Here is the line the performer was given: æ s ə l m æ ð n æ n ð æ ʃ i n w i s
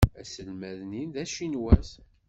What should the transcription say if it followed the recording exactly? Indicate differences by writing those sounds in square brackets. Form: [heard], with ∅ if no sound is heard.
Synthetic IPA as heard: æ s ə l m æ ð n [i] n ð æ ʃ i n w [æ] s